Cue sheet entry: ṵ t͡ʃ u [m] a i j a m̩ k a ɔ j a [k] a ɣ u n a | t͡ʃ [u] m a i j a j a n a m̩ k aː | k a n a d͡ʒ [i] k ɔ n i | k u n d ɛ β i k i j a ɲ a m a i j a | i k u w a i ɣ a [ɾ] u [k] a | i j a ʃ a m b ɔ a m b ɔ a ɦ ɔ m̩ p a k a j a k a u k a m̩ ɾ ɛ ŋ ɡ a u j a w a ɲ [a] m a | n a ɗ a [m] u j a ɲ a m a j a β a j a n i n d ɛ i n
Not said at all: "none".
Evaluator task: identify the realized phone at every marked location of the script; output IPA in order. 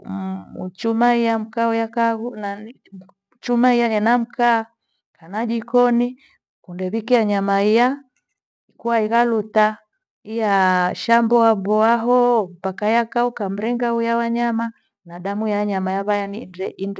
m, k, u, i, l, t, a, m

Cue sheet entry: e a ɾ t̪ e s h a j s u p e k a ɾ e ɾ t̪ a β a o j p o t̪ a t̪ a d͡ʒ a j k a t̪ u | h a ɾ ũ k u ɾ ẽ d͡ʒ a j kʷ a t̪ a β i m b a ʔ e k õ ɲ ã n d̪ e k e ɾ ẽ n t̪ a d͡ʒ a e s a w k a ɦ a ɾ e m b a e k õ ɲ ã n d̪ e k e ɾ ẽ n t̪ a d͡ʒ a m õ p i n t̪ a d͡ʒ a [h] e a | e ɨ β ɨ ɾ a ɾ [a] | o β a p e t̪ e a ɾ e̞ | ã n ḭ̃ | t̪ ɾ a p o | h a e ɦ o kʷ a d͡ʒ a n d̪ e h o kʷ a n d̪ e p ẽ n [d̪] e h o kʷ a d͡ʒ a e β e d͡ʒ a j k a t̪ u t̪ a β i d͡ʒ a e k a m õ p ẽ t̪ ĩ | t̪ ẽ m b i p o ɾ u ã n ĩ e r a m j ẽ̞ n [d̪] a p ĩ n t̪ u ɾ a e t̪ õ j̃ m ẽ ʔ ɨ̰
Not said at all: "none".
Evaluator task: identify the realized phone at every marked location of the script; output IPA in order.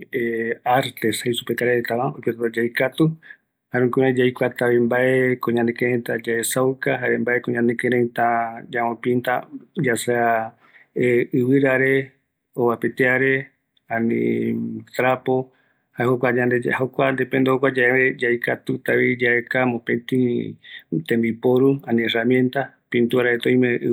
s, e, d̪, t̪

